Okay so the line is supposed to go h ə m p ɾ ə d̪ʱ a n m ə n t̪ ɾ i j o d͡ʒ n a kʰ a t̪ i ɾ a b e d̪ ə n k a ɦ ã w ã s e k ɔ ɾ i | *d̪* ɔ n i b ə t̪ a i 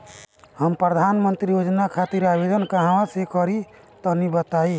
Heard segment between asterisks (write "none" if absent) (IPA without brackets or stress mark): t̪